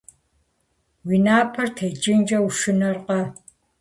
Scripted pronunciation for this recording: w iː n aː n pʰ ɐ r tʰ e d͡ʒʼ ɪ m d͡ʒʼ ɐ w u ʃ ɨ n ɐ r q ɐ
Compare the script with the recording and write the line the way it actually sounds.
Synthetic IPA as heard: w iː n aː pʰ ɐ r tʰ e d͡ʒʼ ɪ n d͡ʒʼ ɐ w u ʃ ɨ n ɐ r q ɐ